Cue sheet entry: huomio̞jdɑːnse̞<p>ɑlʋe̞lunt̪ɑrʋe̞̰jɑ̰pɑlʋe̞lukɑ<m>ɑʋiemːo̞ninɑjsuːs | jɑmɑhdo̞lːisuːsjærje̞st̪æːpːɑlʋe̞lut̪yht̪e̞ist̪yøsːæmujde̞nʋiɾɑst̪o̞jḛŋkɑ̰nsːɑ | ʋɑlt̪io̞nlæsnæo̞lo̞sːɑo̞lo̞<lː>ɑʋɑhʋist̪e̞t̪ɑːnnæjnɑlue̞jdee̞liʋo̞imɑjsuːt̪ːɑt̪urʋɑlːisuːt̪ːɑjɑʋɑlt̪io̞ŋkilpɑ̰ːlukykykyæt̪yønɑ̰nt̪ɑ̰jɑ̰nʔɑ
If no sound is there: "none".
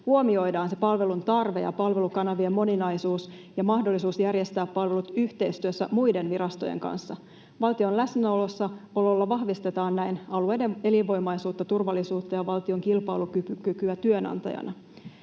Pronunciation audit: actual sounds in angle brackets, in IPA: p, n, lː

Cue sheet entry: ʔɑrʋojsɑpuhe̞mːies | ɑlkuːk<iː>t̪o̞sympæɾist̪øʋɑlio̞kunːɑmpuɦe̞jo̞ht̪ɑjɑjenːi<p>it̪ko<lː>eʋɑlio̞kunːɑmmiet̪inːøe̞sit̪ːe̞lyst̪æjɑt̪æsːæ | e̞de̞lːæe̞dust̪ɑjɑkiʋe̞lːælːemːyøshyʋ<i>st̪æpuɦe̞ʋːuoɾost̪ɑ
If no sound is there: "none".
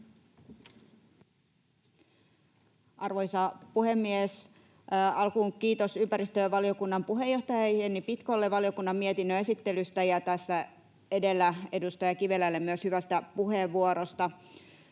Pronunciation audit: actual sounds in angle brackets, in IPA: iː, p, lː, æ

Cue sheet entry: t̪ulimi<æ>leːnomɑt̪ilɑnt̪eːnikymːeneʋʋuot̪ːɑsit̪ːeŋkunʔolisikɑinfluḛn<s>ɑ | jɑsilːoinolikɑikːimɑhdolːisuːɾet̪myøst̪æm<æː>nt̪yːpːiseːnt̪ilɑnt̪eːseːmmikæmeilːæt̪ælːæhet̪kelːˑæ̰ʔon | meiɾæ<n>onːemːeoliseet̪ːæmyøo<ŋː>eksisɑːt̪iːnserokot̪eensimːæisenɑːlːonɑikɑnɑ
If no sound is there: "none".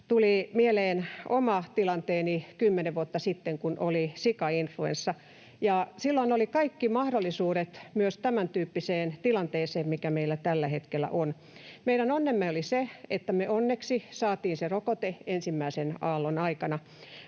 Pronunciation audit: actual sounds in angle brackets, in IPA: e, sː, æ, n, nː

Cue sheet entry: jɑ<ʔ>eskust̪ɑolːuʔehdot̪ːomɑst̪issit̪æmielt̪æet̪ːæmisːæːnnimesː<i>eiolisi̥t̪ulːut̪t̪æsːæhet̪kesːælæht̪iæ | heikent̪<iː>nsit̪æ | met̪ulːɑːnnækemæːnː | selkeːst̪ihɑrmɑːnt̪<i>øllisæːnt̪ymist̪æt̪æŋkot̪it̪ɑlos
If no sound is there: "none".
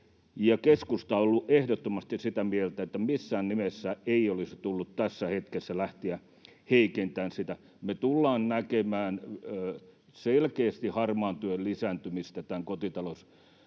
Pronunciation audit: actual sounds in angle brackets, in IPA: k, æ, æː, y

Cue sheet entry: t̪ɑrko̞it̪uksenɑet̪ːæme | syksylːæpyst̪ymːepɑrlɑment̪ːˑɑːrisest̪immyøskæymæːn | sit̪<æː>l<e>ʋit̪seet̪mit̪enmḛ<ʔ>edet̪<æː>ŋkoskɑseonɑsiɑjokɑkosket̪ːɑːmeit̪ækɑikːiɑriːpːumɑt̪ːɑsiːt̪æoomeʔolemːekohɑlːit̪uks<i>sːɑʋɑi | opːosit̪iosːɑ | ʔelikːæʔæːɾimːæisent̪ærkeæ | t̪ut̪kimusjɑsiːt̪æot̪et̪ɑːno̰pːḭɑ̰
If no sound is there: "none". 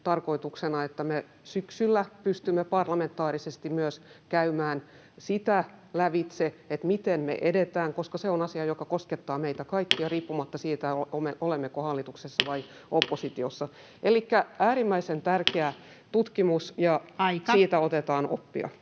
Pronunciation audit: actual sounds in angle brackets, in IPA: æ, æ, ʔ, æː, e

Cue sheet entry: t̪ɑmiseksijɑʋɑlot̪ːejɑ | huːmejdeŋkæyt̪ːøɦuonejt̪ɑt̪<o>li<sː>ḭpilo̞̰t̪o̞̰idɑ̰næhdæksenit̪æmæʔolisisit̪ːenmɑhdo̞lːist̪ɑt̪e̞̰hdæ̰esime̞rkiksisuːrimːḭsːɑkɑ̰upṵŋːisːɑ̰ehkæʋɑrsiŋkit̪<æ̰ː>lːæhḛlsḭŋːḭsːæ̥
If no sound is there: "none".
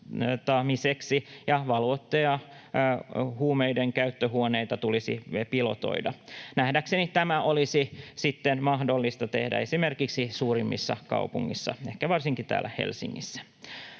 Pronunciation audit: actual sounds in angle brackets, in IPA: u, s, æ̰ː

